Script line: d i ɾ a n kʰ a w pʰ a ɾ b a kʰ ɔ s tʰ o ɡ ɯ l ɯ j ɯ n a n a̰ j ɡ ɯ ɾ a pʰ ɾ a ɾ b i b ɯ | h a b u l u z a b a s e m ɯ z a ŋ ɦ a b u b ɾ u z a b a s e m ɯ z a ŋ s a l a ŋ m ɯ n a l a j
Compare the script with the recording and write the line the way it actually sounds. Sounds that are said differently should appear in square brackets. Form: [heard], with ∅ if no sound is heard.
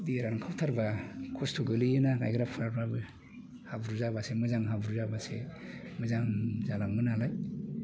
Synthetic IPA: d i ɾ a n kʰ a w [tʰ] a ɾ b a kʰ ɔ s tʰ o ɡ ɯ l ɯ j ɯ n a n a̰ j ɡ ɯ ɾ a pʰ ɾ a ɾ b [a] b ɯ | h a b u [ɾ] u z a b a s e m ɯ z a ŋ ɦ a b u [∅] ɾ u z a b a s e m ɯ z a ŋ [z] a l a ŋ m ɯ n a l a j